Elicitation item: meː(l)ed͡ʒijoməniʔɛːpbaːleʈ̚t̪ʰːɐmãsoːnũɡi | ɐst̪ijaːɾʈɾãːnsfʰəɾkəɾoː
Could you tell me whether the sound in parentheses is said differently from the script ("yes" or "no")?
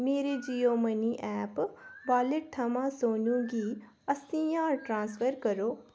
yes